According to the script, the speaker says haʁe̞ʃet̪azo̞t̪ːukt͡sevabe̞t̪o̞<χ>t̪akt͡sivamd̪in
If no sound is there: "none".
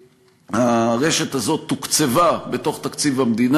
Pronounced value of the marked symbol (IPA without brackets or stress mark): χ